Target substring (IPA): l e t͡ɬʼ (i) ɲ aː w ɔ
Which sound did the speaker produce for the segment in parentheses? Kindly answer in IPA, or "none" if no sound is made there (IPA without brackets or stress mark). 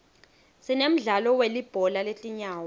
i